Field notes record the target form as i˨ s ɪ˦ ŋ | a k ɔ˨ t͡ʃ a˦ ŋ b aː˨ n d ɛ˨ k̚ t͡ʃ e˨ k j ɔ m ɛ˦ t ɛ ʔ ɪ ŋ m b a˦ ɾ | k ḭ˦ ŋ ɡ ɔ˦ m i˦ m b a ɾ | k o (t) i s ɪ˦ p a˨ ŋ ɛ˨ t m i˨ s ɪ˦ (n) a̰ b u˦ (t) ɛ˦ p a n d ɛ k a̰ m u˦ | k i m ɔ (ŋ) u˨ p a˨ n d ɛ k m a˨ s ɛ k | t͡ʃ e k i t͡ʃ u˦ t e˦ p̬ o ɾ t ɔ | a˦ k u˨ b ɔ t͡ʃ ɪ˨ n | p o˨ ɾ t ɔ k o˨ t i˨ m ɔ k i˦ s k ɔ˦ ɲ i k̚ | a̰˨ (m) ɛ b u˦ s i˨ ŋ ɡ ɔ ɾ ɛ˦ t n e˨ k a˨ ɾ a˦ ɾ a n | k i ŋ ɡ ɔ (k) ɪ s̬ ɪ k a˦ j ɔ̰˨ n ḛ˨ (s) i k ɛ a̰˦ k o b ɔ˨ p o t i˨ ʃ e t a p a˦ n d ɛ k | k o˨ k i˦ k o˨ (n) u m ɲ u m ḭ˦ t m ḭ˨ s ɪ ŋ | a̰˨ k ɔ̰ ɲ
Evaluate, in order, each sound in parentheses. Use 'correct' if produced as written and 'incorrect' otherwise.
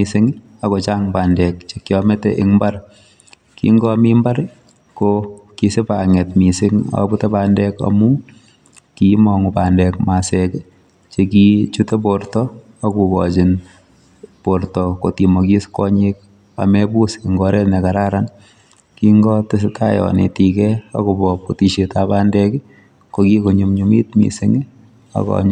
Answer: incorrect, incorrect, correct, correct, correct, incorrect, incorrect, incorrect

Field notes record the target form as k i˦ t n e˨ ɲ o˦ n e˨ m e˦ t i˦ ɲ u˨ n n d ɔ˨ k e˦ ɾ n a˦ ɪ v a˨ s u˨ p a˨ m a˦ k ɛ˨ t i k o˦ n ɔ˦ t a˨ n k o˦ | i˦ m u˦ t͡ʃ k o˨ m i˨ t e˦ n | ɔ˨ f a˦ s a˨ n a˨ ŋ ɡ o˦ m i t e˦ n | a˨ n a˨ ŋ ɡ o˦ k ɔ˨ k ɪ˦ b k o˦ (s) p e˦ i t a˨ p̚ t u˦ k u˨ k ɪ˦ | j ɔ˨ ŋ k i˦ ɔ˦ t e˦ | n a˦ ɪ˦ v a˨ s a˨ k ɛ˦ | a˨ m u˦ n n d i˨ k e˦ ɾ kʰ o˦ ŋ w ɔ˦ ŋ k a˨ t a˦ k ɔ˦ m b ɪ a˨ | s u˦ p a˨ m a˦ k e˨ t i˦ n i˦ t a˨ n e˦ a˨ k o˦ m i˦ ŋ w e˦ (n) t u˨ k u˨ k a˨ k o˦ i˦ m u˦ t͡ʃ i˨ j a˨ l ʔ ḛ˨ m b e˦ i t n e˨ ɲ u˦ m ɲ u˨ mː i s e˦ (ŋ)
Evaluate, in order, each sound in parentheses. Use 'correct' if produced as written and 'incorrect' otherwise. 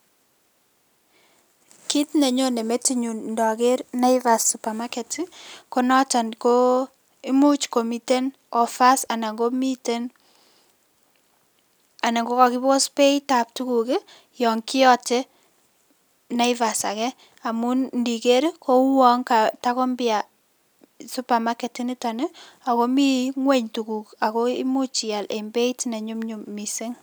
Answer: correct, incorrect, correct

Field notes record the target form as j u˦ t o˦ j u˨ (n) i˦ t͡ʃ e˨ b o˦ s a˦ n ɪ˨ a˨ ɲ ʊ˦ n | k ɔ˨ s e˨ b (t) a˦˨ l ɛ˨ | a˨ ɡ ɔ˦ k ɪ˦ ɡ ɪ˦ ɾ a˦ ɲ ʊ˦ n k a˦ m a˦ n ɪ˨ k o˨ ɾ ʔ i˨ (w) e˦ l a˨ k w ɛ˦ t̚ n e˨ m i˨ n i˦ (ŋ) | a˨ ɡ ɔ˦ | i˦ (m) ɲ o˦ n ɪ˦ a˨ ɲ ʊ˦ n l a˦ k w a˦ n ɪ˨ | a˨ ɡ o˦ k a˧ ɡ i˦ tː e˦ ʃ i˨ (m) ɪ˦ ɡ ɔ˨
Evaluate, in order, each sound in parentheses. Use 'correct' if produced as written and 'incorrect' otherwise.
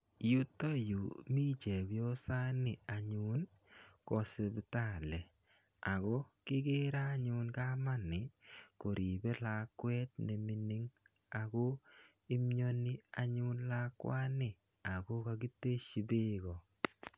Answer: incorrect, correct, incorrect, correct, correct, incorrect

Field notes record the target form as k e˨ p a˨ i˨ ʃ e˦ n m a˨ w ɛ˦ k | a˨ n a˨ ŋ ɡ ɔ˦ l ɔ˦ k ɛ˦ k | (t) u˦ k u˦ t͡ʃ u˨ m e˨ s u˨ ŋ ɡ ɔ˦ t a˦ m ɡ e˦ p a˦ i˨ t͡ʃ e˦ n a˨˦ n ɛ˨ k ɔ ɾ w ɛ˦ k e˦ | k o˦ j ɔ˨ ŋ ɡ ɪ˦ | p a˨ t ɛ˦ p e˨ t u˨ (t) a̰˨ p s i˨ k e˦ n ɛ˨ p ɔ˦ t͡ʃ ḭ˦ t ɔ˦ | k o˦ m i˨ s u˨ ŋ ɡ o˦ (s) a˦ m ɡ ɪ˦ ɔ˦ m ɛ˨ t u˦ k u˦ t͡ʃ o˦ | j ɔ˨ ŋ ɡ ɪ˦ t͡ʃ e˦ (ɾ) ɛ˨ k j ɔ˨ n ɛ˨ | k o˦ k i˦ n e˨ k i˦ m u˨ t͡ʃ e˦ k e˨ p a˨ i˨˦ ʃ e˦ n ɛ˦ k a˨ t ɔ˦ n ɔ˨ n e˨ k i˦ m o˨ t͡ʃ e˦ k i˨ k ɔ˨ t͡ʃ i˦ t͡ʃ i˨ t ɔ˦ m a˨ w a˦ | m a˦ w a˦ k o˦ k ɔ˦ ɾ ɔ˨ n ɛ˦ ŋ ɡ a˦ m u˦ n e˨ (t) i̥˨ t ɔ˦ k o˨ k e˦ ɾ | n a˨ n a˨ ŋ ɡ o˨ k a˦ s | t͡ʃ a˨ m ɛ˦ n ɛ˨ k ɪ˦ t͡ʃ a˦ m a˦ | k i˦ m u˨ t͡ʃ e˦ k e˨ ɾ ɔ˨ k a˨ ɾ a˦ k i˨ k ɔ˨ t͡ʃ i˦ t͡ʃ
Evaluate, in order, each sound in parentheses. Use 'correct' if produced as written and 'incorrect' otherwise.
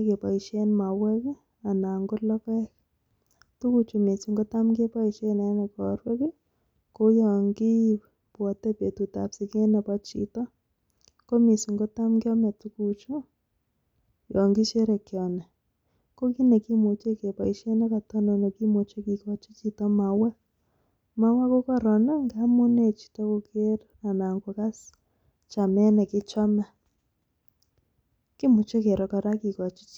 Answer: correct, correct, incorrect, correct, incorrect

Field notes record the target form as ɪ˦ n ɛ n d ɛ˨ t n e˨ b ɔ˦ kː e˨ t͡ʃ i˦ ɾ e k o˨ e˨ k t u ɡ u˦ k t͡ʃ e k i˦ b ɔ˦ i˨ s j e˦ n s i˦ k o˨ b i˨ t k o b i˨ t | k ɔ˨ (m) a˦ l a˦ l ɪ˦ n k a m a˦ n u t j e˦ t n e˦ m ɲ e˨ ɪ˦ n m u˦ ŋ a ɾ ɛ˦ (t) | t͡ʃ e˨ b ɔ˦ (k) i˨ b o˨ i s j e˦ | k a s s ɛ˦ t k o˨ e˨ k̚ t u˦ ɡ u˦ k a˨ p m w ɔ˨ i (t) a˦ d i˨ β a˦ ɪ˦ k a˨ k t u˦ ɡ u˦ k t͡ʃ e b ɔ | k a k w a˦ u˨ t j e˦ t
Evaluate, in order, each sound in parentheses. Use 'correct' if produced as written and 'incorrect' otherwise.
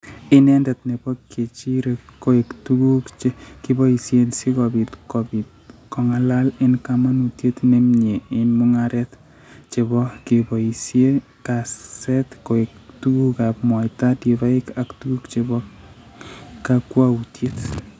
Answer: incorrect, correct, correct, correct

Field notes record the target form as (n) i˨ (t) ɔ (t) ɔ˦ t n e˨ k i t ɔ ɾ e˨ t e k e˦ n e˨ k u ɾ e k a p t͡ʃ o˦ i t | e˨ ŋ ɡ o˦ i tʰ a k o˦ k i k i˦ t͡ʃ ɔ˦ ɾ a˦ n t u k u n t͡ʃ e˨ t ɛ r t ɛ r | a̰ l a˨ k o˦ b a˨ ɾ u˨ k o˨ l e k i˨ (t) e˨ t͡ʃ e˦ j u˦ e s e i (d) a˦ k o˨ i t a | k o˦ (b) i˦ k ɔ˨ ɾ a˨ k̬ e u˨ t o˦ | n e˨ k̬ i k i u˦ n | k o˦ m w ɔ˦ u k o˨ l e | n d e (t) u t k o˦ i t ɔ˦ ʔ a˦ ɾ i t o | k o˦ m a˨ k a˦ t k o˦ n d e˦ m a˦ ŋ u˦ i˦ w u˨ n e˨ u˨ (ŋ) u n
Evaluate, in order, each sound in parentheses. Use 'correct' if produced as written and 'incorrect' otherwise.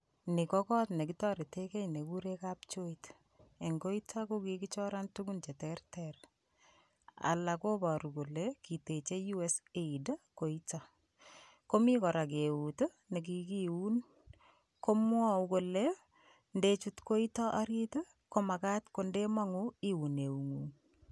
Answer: correct, incorrect, incorrect, correct, correct, incorrect, incorrect, correct

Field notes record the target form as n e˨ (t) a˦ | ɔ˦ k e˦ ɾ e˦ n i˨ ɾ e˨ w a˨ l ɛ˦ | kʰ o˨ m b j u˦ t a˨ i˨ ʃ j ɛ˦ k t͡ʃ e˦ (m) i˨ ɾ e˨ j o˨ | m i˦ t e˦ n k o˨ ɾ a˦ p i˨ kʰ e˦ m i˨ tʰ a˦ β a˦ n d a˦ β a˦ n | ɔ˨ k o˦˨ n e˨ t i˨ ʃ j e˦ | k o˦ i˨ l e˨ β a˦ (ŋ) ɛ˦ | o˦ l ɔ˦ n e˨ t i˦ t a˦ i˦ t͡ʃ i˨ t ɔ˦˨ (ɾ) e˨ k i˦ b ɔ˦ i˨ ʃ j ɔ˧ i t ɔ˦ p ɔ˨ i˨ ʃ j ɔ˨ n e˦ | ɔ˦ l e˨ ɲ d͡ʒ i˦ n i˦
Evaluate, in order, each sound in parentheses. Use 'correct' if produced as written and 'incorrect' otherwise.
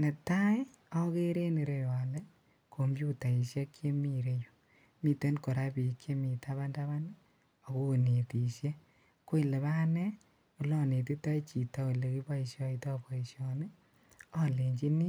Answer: correct, correct, incorrect, incorrect

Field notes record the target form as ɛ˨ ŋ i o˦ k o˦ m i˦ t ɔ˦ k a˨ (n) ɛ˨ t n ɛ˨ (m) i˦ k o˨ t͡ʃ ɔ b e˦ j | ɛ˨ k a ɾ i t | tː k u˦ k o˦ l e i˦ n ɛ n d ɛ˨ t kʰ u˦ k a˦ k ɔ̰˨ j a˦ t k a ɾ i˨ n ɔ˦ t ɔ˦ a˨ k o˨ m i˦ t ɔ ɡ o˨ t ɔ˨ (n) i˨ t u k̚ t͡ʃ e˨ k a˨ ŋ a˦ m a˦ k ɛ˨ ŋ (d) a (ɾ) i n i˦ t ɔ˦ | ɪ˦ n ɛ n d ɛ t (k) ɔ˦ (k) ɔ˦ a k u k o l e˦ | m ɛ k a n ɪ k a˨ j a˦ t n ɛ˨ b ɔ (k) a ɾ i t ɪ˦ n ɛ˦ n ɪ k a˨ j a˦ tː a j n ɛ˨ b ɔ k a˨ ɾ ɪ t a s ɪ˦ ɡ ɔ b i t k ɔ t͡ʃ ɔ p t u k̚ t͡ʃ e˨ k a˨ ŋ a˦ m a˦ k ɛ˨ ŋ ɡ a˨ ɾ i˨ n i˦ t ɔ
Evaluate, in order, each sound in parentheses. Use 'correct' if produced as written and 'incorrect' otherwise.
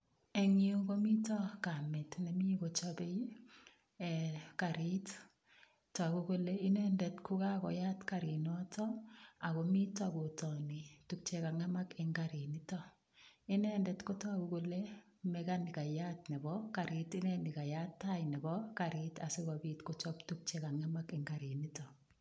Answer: incorrect, correct, correct, incorrect, correct, correct, incorrect, correct

